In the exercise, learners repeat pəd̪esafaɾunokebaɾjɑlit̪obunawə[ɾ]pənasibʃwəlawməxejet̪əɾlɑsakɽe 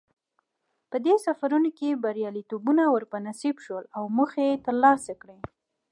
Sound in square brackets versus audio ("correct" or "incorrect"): correct